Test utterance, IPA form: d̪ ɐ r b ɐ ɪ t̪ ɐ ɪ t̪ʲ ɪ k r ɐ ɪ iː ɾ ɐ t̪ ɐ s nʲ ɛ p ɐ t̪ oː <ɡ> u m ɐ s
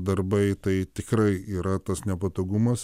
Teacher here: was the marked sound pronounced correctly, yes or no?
yes